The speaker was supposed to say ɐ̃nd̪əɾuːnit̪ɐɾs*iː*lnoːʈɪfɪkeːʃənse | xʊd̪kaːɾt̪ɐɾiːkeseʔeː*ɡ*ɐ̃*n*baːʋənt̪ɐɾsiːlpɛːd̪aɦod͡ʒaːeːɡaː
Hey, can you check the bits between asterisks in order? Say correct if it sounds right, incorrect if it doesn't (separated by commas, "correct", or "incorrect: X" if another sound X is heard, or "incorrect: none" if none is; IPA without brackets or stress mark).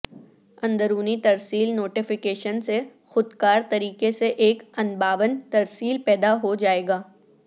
correct, incorrect: k, correct